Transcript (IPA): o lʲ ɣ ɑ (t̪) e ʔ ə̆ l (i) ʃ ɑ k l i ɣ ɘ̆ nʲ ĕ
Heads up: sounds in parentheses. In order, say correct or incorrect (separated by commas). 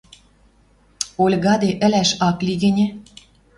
incorrect, incorrect